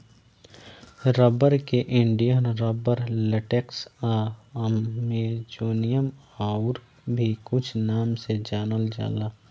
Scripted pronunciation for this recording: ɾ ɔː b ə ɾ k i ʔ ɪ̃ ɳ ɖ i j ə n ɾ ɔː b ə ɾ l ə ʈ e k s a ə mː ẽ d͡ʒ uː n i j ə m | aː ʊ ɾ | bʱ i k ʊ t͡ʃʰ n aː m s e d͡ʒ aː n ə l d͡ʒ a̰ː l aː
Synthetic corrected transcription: ɾ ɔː b ə ɾ k e ʔ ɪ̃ ɳ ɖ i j ə n ɾ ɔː b ə ɾ l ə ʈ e k s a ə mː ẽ d͡ʒ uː n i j ə m | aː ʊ ɾ | bʱ i k ʊ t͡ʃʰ n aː m s e d͡ʒ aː n ə l d͡ʒ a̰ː l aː